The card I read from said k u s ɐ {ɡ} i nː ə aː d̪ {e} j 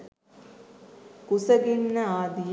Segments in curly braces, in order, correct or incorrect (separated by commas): correct, incorrect